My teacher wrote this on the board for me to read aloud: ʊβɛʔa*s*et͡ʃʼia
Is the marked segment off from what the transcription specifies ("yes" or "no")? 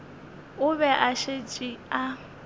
yes